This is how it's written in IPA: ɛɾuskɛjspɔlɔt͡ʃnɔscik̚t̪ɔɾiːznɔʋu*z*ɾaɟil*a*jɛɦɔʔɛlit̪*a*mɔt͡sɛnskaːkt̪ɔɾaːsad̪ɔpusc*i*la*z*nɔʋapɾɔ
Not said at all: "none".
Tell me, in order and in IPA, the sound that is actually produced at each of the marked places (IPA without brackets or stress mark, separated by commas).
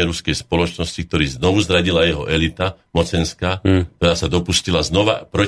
z, a, a, i, z